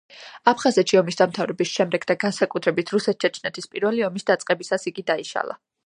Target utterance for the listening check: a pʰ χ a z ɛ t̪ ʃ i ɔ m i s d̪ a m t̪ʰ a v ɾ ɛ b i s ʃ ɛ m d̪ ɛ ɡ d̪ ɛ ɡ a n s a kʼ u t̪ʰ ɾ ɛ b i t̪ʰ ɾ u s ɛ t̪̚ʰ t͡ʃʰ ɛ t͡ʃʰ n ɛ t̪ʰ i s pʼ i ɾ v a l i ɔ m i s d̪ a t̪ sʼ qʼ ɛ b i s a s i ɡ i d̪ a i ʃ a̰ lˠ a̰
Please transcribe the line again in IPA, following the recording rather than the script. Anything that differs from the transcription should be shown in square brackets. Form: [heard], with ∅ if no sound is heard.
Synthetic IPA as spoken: a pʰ χ a z ɛ t̪ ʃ i ɔ m i s d̪ a m t̪ʰ a v ɾ ɛ b i s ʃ ɛ m d̪ ɛ ɡ d̪ [a] ɡ a n s a kʼ u t̪ʰ ɾ ɛ b i t̪ʰ ɾ u s ɛ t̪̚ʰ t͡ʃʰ ɛ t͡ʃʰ n ɛ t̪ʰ i s pʼ i ɾ v [ɛ] l i ɔ m i s d̪ a t̪ sʼ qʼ ɛ b i s a s i ɡ i d̪ a i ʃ a̰ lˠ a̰